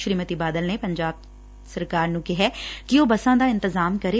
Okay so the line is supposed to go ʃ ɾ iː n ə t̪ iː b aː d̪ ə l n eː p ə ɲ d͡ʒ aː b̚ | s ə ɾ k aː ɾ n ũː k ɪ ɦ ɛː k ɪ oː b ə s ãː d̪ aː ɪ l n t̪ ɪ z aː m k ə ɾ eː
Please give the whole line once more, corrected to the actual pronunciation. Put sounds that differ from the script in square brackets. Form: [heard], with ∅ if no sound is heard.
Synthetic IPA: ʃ ɾ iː [m] ə t̪ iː b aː d̪ ə l n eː p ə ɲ d͡ʒ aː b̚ | s ə ɾ k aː ɾ n ũː k ɪ ɦ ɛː k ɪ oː b ə s ãː d̪ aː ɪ [∅] n t̪ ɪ z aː m k ə ɾ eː